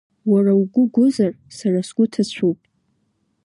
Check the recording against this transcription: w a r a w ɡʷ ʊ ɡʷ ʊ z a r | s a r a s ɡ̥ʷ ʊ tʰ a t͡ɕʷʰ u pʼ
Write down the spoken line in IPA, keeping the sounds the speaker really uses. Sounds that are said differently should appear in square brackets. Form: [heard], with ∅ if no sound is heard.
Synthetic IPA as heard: w a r a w ɡʷ ʊ ɡʷ ʊ z a r | s a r a s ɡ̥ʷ ʊ tʰ a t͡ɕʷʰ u pʼ